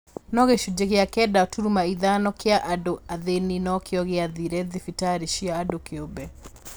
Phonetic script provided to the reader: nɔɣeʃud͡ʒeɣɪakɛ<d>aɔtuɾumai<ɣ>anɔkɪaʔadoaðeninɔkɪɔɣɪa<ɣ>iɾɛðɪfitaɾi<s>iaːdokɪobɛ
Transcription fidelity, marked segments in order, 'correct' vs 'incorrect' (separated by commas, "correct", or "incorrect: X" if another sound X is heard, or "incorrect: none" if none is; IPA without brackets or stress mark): correct, incorrect: ð, incorrect: ð, incorrect: ʃ